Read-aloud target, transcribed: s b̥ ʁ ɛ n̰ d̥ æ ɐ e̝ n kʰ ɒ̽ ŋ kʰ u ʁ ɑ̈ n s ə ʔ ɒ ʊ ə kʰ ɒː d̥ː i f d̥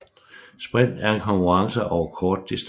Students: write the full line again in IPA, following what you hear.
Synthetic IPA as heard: s b̥ ʁ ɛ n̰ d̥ æ ɐ e̝ n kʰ ɒ̽ ŋ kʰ u ʁ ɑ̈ ŋ s ə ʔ ɒ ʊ ɐ kʰ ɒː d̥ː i s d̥